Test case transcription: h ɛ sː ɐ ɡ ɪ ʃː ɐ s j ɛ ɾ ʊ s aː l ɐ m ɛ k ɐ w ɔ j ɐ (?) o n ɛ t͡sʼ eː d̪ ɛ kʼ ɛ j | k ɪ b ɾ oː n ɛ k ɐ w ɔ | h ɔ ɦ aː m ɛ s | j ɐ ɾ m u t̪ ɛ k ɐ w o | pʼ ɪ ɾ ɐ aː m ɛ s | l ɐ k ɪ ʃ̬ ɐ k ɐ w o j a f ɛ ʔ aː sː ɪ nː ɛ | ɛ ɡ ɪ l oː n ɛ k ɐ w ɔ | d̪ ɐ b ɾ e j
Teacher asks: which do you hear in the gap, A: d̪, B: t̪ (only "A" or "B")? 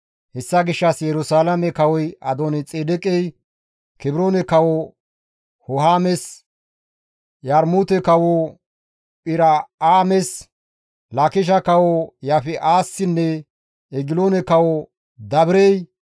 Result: A